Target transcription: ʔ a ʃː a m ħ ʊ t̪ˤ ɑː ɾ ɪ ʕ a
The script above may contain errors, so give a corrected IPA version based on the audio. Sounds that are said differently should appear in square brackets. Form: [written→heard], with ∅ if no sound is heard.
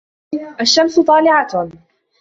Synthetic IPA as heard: ʔ a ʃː a m [ħ→s] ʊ t̪ˤ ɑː [ɾ→l] ɪ ʕ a